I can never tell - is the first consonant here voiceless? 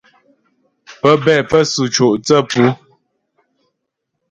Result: yes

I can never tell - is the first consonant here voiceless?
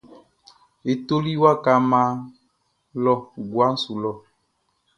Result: yes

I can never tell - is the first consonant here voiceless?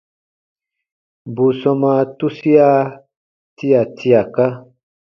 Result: no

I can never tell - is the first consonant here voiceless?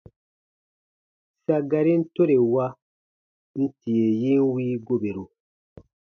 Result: yes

